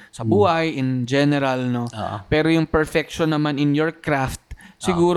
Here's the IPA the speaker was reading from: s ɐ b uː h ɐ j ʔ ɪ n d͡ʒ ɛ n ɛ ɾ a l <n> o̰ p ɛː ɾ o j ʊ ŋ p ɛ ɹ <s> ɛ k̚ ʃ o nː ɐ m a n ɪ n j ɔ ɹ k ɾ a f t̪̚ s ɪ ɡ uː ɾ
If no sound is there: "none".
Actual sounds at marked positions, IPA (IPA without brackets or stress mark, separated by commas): n, f